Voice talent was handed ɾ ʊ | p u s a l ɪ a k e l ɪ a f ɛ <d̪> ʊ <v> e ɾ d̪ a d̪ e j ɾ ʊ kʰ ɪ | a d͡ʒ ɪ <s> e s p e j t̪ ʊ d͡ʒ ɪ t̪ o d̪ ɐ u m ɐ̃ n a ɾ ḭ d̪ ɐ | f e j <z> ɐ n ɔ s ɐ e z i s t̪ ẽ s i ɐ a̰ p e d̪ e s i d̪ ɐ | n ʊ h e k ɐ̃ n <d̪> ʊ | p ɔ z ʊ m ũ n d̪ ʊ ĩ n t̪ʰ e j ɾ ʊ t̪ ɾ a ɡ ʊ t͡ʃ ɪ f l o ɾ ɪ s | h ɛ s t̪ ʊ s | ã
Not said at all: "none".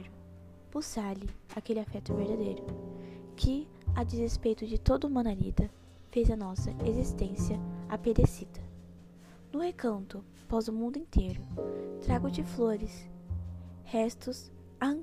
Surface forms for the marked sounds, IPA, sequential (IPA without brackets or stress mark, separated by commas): t̪, v, z, z, t̪